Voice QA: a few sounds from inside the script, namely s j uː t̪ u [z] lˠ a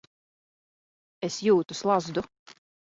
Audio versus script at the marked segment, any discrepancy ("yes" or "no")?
yes